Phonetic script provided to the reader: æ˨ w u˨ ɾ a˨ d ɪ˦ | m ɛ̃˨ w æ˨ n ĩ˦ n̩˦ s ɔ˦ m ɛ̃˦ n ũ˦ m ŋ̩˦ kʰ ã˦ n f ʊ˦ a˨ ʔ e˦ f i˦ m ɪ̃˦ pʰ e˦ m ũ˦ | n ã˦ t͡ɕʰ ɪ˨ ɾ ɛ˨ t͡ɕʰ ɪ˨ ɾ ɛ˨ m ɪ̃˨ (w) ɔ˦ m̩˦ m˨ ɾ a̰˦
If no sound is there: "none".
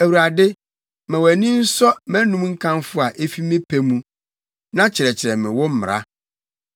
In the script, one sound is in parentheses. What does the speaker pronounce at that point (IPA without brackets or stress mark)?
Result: w